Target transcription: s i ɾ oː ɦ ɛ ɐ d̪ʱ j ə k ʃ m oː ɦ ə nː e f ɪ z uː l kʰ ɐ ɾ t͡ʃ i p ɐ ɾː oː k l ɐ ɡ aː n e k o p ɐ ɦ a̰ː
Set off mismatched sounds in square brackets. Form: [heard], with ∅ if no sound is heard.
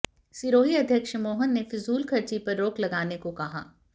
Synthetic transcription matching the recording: s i ɾ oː ɦ [i] ɐ d̪ʱ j ə k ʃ m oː ɦ ə nː e f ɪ z uː l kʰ ɐ ɾ t͡ʃ i p ɐ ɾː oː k l ɐ ɡ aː n e k o [k] ɐ ɦ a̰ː

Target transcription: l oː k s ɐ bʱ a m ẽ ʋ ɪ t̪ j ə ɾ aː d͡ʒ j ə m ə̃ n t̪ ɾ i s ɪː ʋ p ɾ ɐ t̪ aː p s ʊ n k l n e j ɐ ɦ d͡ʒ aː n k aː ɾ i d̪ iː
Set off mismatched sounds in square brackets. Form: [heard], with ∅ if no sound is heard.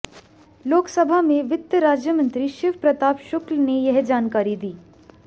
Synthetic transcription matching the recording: l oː k s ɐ bʱ a m ẽ ʋ ɪ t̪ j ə ɾ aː d͡ʒ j ə m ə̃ n t̪ ɾ i [ʃ] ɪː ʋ p ɾ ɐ t̪ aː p [ʃ] ʊ [∅] k l n e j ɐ ɦ d͡ʒ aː n k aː ɾ i d̪ iː

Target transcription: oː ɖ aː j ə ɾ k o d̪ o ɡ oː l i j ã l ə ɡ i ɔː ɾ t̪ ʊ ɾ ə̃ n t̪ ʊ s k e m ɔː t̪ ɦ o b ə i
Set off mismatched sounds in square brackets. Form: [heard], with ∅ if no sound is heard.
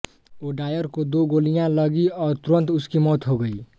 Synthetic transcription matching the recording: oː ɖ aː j ə ɾ k o d̪ o ɡ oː l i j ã l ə ɡ i ɔː ɾ t̪ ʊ ɾ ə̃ n t̪ ʊ s k [i] m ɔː t̪ ɦ o [ɡ] ə i

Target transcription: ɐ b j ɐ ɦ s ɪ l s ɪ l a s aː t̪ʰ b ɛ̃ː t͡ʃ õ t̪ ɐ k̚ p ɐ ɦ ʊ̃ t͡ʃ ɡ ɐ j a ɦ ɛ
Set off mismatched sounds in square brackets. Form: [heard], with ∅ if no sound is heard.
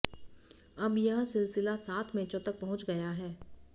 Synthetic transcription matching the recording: ɐ b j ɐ ɦ s ɪ l s ɪ l a s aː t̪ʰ [m] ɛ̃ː t͡ʃ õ t̪ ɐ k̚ p ɐ ɦ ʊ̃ t͡ʃ ɡ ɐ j a ɦ [ɛː]

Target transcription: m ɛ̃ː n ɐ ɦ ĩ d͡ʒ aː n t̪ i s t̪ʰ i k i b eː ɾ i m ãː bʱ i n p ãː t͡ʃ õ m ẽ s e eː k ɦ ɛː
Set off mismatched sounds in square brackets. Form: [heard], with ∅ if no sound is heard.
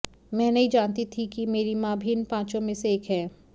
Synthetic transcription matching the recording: m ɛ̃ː n ɐ ɦ ĩ d͡ʒ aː n t̪ i [∅] t̪ʰ i k i [m] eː ɾ i m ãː bʱ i n p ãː t͡ʃ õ m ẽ s e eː k ɦ ɛː

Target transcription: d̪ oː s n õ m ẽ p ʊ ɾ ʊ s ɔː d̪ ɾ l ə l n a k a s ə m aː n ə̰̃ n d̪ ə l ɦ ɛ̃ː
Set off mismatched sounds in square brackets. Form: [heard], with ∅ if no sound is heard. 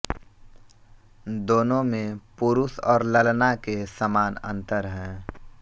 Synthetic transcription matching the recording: d̪ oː [∅] n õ m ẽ p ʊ ɾ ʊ s ɔː [∅] ɾ l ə l n a k [e] s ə m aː n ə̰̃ n [t̪] ə [ɾ] ɦ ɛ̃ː

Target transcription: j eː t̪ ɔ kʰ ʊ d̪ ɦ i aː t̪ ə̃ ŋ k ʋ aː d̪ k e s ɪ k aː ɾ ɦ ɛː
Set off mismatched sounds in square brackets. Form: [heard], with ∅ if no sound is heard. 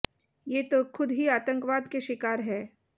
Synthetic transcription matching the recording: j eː t̪ [o] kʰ ʊ d̪ ɦ i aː t̪ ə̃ ŋ k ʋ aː d̪ k e [ʃ] ɪ k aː ɾ ɦ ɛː

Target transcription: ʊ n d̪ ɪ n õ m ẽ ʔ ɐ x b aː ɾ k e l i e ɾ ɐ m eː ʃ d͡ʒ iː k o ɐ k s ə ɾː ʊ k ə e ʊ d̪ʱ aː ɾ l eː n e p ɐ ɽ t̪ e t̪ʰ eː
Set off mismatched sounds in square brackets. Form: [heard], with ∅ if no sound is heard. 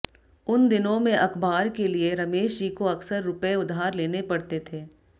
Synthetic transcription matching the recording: ʊ n d̪ ɪ n õ m ẽ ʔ ɐ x b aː ɾ k e l i e ɾ ɐ m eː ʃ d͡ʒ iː k o ɐ k s ə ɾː ʊ [p] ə e ʊ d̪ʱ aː ɾ l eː n e p ɐ ɽ t̪ e t̪ʰ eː

